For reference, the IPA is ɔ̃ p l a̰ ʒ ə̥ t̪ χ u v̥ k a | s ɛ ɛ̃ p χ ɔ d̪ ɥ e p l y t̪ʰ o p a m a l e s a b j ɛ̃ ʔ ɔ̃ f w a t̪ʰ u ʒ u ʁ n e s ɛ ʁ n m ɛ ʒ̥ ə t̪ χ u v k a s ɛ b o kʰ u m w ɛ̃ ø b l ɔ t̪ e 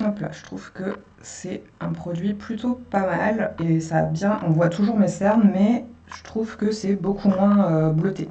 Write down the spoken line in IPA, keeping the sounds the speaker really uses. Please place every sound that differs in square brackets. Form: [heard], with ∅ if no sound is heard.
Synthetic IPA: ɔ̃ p l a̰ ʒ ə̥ t̪ χ u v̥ k [ə] | s ɛ ɛ̃ p χ ɔ d̪ ɥ [i] p l y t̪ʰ o p a m a l e s a b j ɛ̃ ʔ ɔ̃ [v] w a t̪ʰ u ʒ u ʁ [m] e s ɛ ʁ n m ɛ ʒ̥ ə t̪ χ u v k [ə] s ɛ b o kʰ u m w ɛ̃ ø b l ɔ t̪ e